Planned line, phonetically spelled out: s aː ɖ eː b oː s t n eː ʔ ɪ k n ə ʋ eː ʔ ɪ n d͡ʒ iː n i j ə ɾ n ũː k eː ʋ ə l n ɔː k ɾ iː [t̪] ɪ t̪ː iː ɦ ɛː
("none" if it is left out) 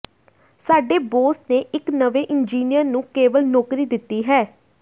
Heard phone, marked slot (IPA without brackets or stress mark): d̪